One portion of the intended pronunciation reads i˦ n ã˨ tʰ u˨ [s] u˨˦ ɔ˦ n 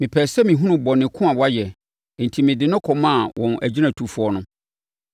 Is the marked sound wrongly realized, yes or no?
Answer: yes